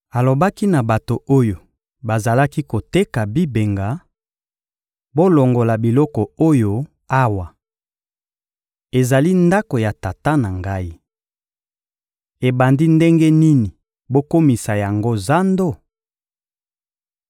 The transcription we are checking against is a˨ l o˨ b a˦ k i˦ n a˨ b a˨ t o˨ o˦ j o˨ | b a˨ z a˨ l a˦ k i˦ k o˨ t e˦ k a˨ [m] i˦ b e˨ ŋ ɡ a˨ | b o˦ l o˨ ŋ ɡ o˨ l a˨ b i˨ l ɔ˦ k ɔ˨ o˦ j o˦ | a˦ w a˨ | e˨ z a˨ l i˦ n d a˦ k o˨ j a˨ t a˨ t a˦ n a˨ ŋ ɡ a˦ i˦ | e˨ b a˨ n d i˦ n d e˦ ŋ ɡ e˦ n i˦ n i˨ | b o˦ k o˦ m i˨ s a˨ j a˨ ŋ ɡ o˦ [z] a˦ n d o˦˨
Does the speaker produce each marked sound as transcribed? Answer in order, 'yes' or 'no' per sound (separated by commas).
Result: no, yes